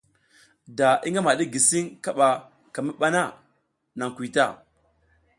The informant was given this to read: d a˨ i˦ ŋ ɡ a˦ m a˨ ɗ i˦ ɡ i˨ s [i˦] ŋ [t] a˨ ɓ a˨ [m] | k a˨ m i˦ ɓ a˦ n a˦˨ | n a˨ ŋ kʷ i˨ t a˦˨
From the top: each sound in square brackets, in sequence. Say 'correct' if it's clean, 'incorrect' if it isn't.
correct, incorrect: k, incorrect: none

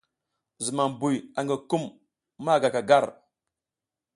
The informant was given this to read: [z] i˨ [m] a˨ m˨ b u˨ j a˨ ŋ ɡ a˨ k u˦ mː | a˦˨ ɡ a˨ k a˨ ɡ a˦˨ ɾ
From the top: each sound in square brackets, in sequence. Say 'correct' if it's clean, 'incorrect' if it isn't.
correct, correct

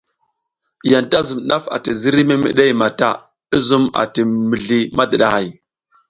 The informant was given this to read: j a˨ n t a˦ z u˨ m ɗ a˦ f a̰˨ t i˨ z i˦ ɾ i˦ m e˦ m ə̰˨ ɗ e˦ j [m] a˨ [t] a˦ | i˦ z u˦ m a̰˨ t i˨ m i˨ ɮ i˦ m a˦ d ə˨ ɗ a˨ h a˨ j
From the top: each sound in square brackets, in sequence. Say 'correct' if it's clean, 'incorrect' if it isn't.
correct, correct

